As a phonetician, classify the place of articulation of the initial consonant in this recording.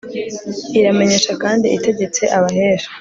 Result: alveolar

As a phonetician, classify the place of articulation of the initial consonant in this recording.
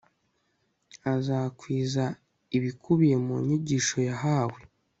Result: alveolar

